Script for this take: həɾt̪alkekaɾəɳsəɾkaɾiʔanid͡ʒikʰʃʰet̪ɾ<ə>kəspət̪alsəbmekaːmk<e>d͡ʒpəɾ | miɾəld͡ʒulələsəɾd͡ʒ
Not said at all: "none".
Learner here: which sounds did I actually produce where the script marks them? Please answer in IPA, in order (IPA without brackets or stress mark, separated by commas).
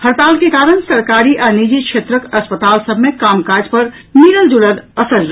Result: ə, a